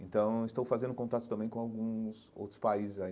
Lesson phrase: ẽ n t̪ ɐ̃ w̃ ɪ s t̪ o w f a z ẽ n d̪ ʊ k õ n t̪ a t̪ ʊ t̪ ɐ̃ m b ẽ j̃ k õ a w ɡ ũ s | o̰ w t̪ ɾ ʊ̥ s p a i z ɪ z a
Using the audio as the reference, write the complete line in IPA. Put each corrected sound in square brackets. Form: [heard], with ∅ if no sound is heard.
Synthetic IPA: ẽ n t̪ ɐ̃ w̃ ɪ s t̪ o w f a z ẽ n d̪ ʊ k õ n t̪ a t̪ ʊ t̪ ɐ̃ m b ẽ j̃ k õ a w ɡ ũ s | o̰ w t̪ ɾ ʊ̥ s p a i z ɪ z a